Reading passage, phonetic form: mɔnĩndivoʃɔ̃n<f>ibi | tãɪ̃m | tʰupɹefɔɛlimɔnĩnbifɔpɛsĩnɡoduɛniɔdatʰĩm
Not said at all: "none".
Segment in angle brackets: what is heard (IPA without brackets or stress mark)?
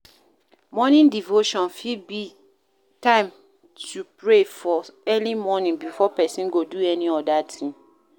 f